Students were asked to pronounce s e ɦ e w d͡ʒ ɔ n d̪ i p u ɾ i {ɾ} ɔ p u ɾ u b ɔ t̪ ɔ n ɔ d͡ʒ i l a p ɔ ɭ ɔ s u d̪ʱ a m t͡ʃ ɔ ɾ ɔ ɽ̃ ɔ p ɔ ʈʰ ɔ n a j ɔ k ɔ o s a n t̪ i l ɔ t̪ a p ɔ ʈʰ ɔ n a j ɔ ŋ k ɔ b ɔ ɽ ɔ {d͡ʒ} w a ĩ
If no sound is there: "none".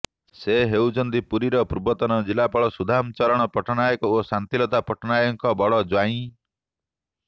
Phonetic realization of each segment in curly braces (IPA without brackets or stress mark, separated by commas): ɾ, d͡ʒ